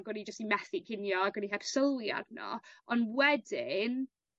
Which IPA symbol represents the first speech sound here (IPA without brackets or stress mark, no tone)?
ɡ